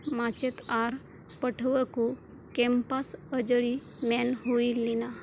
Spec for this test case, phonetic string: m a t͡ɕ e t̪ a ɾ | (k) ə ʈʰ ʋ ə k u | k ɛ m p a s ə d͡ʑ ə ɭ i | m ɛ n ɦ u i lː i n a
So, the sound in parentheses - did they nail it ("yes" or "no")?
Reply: no